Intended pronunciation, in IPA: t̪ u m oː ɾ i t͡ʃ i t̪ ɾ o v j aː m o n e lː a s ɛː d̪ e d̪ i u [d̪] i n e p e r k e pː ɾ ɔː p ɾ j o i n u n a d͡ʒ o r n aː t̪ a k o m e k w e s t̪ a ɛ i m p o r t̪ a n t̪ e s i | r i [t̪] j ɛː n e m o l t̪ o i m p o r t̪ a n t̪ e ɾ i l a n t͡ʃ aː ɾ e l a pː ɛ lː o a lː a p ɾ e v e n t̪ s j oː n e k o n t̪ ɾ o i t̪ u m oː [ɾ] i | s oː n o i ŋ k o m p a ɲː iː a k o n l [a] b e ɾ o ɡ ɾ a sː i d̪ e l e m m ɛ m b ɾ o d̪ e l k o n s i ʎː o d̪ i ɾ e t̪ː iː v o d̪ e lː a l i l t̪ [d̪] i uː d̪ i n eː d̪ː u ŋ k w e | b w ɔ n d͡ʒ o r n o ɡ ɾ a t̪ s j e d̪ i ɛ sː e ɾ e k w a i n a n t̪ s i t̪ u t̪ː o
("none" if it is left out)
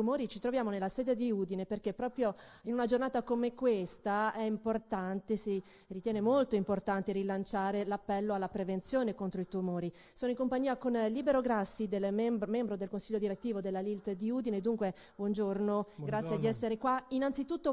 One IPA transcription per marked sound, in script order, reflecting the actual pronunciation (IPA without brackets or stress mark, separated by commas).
d̪, t̪, ɾ, i, d̪